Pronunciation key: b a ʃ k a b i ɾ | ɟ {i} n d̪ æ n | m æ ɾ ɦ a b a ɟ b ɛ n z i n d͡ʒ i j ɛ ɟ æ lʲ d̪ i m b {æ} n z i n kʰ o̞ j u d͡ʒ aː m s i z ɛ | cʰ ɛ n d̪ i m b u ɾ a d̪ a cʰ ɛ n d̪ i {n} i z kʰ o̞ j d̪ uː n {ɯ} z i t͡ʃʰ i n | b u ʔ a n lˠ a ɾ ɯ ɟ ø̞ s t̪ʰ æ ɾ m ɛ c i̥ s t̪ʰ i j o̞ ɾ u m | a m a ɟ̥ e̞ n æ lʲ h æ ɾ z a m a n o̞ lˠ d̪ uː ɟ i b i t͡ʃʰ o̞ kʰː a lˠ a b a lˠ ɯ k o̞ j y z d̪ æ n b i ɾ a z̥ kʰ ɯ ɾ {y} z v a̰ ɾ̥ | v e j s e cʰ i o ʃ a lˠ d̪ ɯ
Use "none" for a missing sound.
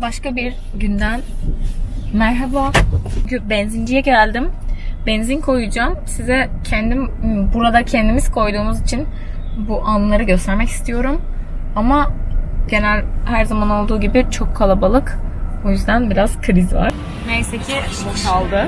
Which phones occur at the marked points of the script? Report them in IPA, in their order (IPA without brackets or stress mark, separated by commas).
y, ɛ, m, u, i